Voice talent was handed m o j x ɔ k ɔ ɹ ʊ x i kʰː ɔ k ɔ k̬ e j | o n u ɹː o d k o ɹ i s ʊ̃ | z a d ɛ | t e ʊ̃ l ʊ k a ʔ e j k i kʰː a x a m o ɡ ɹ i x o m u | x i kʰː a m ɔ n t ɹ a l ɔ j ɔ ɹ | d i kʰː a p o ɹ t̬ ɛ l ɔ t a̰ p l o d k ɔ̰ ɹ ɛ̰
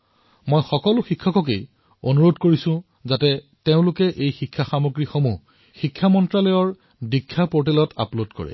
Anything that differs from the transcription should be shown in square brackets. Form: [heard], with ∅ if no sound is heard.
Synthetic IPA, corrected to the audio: m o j x ɔ k ɔ [l] ʊ x i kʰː ɔ k ɔ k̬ e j | o n u [ɹ] o d k o ɹ i s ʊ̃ | z a [t] ɛ | t e ʊ̃ l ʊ k [ɛ] ʔ e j [x] i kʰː a x a m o ɡ ɹ i x o m u | x i kʰː a m ɔ n t ɹ a l ɔ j ɔ ɹ | d i kʰː a p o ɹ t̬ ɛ l ɔ t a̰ p l o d k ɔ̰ ɹ ɛ̰